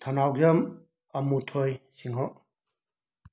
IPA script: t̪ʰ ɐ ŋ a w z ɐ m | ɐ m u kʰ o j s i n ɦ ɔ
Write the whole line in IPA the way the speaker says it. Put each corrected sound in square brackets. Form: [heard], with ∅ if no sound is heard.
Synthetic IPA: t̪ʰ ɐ [n] a w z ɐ m | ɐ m u [tʰ] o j s i [ŋ] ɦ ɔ